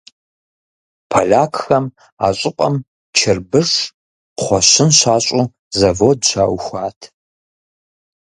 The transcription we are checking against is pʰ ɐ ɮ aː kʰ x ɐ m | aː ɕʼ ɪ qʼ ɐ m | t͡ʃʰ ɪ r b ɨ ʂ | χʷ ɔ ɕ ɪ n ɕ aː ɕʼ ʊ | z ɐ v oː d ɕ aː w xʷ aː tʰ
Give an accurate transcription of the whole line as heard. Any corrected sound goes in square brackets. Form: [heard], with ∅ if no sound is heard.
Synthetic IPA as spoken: pʰ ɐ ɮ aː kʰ x ɐ m | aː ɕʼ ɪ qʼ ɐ m | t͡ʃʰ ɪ r b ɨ ʂ | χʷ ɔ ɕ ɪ n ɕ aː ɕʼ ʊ | z ɐ v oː d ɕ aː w xʷ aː tʰ